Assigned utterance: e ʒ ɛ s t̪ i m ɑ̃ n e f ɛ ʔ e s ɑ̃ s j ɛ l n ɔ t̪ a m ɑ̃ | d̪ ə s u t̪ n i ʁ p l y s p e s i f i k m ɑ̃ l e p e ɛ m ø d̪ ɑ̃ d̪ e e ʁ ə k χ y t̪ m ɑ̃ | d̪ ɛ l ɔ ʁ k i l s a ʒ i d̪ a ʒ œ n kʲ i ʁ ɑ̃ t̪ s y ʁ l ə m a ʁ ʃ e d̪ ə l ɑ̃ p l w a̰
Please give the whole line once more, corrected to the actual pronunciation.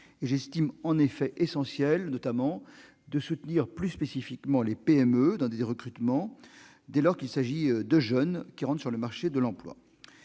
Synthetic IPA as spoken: e ʒ ɛ s t̪ i m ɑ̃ n e f ɛ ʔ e s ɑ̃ s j ɛ l n ɔ t̪ a m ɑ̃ | d̪ ə s u t̪ n i ʁ p l y s p e s i f i k m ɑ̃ l e p e ɛ m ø d̪ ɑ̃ d̪ e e ʁ ə k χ y t̪ m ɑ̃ | d̪ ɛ l ɔ ʁ k i l s a ʒ i d̪ ə ʒ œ n kʲ i ʁ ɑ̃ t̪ s y ʁ l ə m a ʁ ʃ e d̪ ə l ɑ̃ p l w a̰